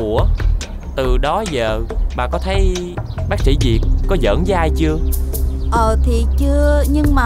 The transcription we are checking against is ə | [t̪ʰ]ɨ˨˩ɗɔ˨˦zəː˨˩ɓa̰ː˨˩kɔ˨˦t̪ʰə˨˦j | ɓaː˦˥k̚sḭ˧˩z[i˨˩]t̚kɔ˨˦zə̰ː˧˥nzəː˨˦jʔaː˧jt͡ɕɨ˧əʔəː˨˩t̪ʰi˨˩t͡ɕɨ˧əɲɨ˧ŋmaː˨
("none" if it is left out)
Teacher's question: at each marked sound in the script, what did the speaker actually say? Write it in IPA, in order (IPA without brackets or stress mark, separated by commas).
t̪, i˨˩